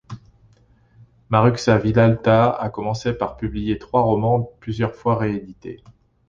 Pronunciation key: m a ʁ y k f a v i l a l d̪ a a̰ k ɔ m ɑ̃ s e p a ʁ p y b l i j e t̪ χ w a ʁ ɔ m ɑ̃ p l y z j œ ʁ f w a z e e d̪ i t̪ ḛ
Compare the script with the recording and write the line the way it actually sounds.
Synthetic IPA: m a ʁ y k s a v i l a l t̪ a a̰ k ɔ m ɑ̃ s e p a ʁ p y b l i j e t̪ χ w a ʁ ɔ m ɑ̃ p l y z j œ ʁ f w a ʁ e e d̪ i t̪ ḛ